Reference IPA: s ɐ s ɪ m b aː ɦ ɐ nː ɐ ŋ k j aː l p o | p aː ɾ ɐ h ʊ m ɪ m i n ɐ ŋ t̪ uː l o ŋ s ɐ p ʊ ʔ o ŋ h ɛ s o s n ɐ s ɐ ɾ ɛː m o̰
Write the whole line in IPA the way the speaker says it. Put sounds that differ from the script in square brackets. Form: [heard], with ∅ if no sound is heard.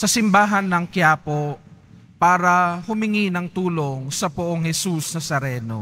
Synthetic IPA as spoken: s ɐ s ɪ m b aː ɦ ɐ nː ɐ ŋ k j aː [∅] p o | p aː ɾ ɐ h ʊ m ɪ [ŋ] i n ɐ ŋ t̪ uː l o ŋ s ɐ p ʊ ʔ o ŋ h ɛ s [u] s n ɐ s ɐ ɾ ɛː [n] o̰

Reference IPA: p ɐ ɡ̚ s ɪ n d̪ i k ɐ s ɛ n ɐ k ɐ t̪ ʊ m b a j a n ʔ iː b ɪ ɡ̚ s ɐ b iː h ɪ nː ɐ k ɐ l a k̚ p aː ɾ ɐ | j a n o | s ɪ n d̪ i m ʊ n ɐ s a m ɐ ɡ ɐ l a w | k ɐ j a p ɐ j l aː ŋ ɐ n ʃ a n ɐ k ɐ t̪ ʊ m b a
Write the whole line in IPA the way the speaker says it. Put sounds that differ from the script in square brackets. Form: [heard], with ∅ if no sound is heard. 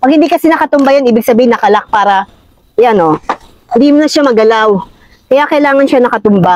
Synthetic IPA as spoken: p ɐ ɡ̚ [h] ɪ n d̪ i k ɐ s ɛ n ɐ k ɐ t̪ ʊ m b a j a n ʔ iː b ɪ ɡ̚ s ɐ b iː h ɪ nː ɐ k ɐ l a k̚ p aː ɾ ɐ | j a n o | [h] ɪ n d̪ i m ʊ n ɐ [ʃ] a m ɐ ɡ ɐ l a w | k ɐ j a [k] ɐ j l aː ŋ ɐ n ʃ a n ɐ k ɐ t̪ ʊ m b a

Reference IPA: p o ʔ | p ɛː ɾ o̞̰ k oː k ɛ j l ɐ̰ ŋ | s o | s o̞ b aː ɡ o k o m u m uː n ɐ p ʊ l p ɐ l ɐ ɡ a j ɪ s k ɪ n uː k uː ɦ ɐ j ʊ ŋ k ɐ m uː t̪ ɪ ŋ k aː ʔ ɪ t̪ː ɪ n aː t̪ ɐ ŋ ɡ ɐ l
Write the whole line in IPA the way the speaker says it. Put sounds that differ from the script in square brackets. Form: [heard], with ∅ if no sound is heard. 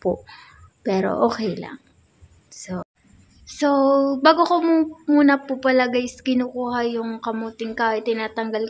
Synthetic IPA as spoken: p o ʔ | p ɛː ɾ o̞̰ [ʔ] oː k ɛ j l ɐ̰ ŋ | s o | s o̞ b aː ɡ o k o m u m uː n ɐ p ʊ [∅] p ɐ l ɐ ɡ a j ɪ s k ɪ n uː k uː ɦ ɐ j ʊ ŋ k ɐ m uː t̪ ɪ ŋ k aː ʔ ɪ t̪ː ɪ n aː t̪ ɐ ŋ ɡ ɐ l

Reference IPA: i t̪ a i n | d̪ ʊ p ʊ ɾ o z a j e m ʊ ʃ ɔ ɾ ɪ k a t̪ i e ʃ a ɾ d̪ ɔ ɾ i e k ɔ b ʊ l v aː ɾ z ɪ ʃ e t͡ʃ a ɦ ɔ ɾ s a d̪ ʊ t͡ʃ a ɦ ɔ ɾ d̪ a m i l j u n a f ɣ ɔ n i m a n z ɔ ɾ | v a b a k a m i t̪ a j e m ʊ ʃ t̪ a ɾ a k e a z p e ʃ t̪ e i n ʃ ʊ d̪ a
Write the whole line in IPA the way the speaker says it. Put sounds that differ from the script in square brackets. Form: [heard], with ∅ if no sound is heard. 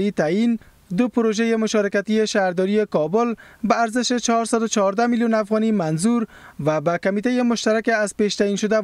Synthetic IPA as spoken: i t̪ a i n | d̪ ʊ p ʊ ɾ o [ʒ] a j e m ʊ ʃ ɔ ɾ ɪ k a t̪ i e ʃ a ɾ d̪ ɔ ɾ i e k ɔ b ʊ l [b] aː ɾ z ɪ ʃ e t͡ʃ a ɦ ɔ ɾ s a d̪ ʊ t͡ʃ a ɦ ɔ ɾ d̪ a m i l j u n a f ɣ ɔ n i m a n z [u] ɾ | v a b a k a m i t̪ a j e m ʊ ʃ t̪ a ɾ a k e a z p e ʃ t̪ [a] i n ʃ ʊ d̪ a

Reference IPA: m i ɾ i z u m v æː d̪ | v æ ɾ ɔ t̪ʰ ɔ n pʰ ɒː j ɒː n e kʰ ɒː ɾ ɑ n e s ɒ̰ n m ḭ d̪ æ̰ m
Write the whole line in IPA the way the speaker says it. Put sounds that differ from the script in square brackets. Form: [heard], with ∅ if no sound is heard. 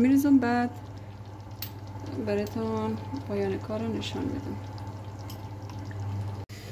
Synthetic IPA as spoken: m i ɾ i z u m [b] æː d̪ | [b] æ ɾ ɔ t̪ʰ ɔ n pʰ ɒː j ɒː n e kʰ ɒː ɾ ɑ n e [ʃ] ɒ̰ n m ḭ d̪ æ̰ m

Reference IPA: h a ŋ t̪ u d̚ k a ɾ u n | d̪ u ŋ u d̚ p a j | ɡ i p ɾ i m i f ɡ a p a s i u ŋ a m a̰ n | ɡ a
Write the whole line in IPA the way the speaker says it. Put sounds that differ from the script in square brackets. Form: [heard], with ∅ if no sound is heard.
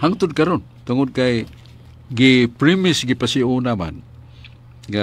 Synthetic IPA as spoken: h a ŋ t̪ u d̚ k a ɾ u n | [t̪] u ŋ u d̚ [k] a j | ɡ i p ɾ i m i [s] ɡ [i] p a s i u [n] a m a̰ n | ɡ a

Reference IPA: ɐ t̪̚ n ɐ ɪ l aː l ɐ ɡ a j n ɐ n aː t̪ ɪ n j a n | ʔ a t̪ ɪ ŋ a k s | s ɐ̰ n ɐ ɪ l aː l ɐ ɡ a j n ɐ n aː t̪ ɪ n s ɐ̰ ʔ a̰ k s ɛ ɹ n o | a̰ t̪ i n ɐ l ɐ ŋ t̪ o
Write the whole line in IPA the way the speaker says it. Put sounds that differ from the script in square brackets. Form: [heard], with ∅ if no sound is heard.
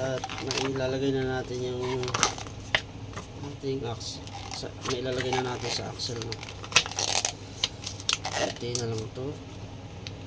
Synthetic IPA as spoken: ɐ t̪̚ n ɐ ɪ l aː l ɐ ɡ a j n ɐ n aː t̪ ɪ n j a [ŋ] | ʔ a t̪ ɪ ŋ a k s | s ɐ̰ n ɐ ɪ l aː l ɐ ɡ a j n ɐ n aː t̪ ɪ n s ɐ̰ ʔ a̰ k s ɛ [l] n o | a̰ t̪ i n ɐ l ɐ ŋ t̪ o

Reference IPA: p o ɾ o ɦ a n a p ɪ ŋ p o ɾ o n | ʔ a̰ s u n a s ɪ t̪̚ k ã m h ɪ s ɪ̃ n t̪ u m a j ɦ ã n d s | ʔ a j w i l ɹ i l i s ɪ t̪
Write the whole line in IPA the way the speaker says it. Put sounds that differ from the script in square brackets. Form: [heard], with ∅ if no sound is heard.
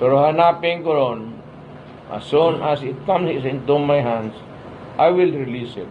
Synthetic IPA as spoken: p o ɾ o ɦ a n a p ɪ ŋ [k] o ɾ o n | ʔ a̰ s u n a s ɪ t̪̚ k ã m [s] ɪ s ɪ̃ n t̪ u m a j ɦ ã n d s | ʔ a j w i l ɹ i l i s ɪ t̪

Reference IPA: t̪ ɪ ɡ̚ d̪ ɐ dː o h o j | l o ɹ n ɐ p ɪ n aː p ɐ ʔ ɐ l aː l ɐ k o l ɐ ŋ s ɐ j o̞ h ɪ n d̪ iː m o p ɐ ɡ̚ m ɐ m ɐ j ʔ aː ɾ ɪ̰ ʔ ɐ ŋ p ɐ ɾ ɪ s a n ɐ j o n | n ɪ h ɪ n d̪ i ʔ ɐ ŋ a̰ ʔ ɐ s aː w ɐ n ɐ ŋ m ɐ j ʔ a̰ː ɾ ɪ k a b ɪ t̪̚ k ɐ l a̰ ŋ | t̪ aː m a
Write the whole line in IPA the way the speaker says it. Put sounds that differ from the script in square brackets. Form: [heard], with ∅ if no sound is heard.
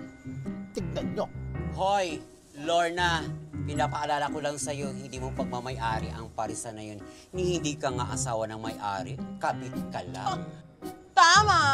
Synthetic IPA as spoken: t̪ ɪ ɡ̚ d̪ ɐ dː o h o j | l o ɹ n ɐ p ɪ n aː p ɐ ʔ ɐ l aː l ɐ k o l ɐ ŋ s ɐ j o̞ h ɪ n d̪ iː m o p ɐ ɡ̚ m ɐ m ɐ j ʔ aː ɾ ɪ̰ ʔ ɐ ŋ p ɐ ɾ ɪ s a n ɐ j o n | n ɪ h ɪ n d̪ i [k] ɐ ŋ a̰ ʔ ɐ s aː w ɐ n ɐ ŋ m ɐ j ʔ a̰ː ɾ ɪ k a b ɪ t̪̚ k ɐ l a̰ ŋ | t̪ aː m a

